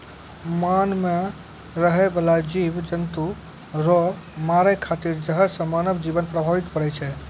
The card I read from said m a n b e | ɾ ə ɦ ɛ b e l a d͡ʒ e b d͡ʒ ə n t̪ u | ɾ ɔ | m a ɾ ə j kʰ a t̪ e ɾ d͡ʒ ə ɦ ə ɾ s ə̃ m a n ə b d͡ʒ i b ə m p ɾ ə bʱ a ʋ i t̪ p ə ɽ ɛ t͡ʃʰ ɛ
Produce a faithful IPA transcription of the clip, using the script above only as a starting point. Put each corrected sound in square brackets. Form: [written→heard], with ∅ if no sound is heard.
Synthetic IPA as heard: m a n [b→m] e | ɾ ə ɦ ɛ b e l a d͡ʒ [e→i] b d͡ʒ ə n t̪ u | ɾ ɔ | m a ɾ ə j kʰ a t̪ [e→i] ɾ d͡ʒ ə ɦ ə ɾ s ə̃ m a n ə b d͡ʒ i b ə [m→n] p ɾ ə bʱ a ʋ i t̪ p ə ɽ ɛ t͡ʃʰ ɛ